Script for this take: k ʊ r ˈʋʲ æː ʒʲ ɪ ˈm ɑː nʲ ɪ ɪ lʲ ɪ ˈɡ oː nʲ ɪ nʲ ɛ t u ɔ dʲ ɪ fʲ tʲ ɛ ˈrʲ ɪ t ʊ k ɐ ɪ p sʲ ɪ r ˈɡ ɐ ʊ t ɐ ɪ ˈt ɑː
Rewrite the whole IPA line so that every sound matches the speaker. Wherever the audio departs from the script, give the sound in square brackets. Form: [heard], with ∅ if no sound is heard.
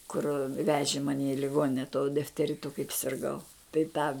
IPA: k ʊ r ˈʋʲ æː ʒʲ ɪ ˈm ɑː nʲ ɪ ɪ lʲ ɪ ˈɡ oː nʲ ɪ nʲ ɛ t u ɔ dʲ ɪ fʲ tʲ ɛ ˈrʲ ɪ t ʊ k ɐ ɪ p sʲ ɪ r ˈɡ ɐ ʊ t ɐ ɪ ˈt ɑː